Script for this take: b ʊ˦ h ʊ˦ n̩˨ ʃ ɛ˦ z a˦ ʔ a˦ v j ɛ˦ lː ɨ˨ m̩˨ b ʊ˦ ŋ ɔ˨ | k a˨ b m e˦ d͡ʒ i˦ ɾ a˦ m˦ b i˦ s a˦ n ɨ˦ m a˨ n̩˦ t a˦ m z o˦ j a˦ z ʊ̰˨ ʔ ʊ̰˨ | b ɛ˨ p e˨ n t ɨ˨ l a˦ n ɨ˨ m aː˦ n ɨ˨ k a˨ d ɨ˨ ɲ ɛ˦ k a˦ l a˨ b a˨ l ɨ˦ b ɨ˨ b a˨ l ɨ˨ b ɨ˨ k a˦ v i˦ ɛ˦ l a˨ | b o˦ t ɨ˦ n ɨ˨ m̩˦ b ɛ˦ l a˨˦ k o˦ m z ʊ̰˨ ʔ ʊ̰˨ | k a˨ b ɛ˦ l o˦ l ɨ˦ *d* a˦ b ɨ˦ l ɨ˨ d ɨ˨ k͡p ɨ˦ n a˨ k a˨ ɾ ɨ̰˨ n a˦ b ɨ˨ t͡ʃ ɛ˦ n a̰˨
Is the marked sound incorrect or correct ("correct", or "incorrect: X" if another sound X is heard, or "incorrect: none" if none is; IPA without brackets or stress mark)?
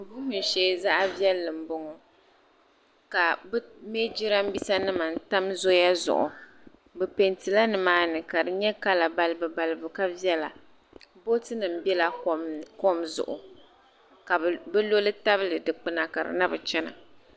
incorrect: t